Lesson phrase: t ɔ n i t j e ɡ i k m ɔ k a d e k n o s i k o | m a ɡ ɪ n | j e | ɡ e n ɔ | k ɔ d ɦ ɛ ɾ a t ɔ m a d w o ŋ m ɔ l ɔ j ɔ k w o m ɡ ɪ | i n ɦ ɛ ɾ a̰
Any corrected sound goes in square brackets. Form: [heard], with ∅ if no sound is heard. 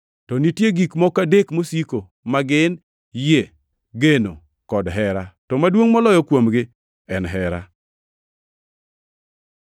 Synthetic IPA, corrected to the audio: t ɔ n i t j e ɡ i k m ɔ k a d e k [m] o s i k o | m a ɡ ɪ n | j e | ɡ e n [o] | k ɔ d ɦ ɛ ɾ a t ɔ m a d w o ŋ m ɔ l ɔ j ɔ k w o m ɡ ɪ | [ɛ] n ɦ ɛ ɾ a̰